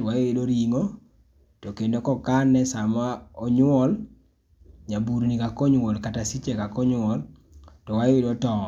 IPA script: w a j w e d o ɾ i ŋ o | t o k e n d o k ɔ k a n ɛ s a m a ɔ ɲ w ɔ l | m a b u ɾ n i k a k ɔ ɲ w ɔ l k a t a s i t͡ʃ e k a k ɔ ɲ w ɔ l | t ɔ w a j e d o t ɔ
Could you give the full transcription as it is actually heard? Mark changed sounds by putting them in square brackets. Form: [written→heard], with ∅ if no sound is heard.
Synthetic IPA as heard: w a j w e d o ɾ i ŋ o | t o k e n d o k ɔ k a n ɛ s a m a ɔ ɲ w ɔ l | [m→ɲ] a b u ɾ n i k a k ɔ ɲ w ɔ l k a t a s i t͡ʃ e k a k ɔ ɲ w ɔ l | t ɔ w a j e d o t ɔ

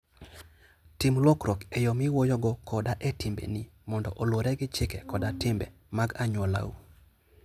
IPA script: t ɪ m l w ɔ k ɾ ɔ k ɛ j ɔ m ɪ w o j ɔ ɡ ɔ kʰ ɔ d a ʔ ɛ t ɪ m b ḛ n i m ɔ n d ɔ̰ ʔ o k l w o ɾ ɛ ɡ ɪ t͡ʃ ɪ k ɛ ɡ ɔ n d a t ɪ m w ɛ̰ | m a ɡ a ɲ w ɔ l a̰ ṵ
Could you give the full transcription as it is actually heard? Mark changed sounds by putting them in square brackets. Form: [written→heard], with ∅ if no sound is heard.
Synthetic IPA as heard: t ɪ m l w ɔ k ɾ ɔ k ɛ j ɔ m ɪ w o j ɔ ɡ ɔ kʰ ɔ d a ʔ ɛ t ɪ m b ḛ n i m ɔ n d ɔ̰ ʔ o [k→∅] l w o ɾ ɛ ɡ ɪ t͡ʃ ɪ k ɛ [ɡ→k] ɔ [n→∅] d a t ɪ m [w→b] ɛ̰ | m a ɡ a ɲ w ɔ l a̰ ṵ

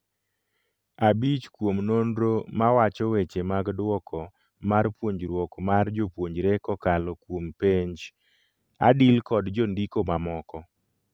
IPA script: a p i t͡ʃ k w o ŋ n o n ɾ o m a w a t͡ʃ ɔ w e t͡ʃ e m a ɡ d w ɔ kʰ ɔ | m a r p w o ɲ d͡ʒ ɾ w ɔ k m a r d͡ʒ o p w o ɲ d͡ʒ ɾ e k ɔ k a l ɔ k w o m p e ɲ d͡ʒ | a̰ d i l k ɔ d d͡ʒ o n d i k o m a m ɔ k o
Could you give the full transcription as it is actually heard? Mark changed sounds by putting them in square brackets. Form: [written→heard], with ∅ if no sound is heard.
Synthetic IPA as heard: a [p→b] i t͡ʃ k w o [ŋ→m] n o n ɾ o m a w a t͡ʃ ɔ w e t͡ʃ e m a ɡ d w ɔ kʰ ɔ | m a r p w o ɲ d͡ʒ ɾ w ɔ k m a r d͡ʒ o p w o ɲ d͡ʒ ɾ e k ɔ k a l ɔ k w o m p e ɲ d͡ʒ | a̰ d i l k ɔ d d͡ʒ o n d i k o m a m ɔ k [o→ɔ]

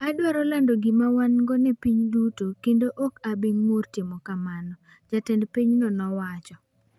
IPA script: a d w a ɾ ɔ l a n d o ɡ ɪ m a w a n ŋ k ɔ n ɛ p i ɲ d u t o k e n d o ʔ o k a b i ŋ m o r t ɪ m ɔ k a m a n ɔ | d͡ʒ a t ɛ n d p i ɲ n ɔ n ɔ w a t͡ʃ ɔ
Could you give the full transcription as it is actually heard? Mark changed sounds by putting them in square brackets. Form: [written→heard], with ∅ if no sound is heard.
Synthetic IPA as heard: a d w a ɾ ɔ l a n d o ɡ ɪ m a w a n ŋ [k→ɡ] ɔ n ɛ p i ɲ d u t o k e n d o ʔ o k a b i ŋ m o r t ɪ m ɔ k a m a n ɔ | d͡ʒ a t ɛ n d p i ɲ n ɔ n ɔ w a t͡ʃ ɔ

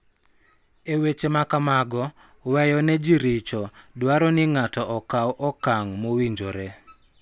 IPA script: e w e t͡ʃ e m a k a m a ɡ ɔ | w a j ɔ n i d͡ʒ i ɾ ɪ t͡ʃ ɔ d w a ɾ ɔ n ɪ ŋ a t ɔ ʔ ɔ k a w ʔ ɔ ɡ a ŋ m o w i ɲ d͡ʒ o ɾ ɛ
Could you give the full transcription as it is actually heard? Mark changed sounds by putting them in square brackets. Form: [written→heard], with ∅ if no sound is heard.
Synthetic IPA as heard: e w e t͡ʃ e m a k a m a ɡ ɔ | w [a→ɛ] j ɔ n [i→ɛ] d͡ʒ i ɾ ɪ t͡ʃ ɔ d w a ɾ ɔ n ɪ ŋ a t ɔ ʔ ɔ k a w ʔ ɔ [ɡ→k] a ŋ m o w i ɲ d͡ʒ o ɾ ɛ

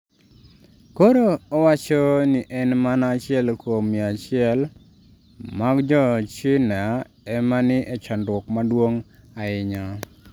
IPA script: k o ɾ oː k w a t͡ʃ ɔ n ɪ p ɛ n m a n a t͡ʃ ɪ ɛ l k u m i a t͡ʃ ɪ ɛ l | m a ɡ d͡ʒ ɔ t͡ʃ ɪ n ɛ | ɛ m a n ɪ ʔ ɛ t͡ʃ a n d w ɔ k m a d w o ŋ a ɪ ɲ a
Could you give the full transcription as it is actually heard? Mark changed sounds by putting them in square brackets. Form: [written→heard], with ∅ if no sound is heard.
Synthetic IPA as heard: k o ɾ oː [k→∅] w a t͡ʃ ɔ n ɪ [p→ʔ] ɛ n m a n a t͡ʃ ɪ ɛ l k [u→o] m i a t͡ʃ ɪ ɛ l | m a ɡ d͡ʒ ɔ t͡ʃ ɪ n [ɛ→a] | ɛ m a n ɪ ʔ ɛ t͡ʃ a n d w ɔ k m a d w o ŋ a ɪ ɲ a

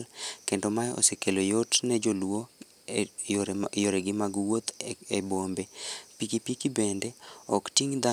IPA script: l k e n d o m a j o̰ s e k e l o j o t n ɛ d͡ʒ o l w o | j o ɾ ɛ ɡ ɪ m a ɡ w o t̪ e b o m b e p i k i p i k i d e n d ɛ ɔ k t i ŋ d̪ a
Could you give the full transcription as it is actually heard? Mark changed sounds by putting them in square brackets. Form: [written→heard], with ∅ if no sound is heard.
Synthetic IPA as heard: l k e n d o m a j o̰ s e k e l o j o t n ɛ d͡ʒ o l w o | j o ɾ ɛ ɡ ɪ m a ɡ w o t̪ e b o m b e p i k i p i k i [d→b] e n d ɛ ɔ k t i ŋ d̪ a

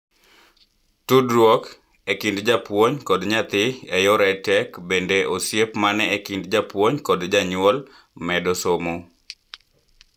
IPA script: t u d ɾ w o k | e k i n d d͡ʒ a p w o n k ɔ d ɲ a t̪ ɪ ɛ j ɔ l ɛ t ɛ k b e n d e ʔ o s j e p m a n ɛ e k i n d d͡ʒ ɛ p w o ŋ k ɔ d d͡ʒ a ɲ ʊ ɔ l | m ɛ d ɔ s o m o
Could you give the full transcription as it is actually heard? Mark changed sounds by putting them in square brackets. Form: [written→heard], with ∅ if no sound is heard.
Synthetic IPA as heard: t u d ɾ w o k | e k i n d d͡ʒ a p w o [n→ɲ] k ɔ d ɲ a t̪ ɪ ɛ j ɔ [l→ɾ] ɛ t ɛ k b e n d e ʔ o s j e p m a n ɛ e k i n d d͡ʒ [ɛ→a] p w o [ŋ→ɲ] k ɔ d d͡ʒ a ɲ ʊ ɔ l | m ɛ d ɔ s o m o

